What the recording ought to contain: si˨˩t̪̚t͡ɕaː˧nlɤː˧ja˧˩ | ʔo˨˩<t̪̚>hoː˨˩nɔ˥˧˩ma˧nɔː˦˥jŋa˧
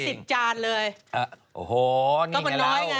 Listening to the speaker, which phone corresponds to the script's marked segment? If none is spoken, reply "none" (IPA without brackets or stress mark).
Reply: none